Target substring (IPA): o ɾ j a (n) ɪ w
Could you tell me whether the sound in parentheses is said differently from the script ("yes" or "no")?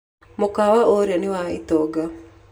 no